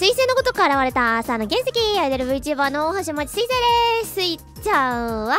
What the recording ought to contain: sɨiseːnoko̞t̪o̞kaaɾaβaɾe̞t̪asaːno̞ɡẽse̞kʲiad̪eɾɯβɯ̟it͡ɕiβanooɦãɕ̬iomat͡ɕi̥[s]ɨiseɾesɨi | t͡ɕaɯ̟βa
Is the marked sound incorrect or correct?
correct